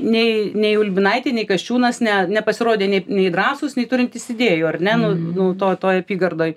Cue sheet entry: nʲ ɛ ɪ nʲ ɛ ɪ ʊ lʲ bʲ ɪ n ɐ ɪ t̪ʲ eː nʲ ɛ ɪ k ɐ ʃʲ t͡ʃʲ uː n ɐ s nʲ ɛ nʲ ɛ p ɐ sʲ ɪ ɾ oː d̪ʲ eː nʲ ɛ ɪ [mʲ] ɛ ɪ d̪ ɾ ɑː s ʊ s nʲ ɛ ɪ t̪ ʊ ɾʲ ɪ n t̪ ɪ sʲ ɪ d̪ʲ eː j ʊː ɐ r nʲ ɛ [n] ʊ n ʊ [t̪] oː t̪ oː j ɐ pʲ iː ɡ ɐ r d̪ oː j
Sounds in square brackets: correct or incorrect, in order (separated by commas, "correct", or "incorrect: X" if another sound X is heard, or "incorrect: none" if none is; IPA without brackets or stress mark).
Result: incorrect: nʲ, correct, correct